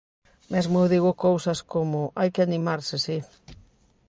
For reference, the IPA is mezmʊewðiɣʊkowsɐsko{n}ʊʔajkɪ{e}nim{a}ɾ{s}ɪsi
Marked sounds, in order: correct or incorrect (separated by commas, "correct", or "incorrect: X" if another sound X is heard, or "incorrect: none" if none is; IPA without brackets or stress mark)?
incorrect: m, incorrect: a, correct, correct